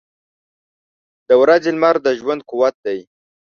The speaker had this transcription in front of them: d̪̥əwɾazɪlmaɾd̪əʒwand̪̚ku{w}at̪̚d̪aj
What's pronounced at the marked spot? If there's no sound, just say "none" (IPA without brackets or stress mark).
w